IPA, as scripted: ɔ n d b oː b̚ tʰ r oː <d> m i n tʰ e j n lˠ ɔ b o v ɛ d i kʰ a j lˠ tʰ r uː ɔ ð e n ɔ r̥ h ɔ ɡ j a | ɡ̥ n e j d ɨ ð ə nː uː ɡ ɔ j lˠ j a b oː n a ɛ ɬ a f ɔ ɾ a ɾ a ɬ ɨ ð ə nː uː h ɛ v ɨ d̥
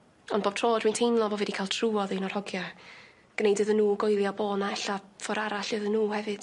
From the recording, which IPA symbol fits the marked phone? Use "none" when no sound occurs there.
d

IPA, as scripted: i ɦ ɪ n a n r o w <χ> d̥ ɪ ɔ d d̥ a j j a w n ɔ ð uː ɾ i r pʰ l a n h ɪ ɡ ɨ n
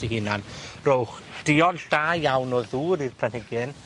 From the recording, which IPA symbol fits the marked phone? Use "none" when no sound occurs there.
χ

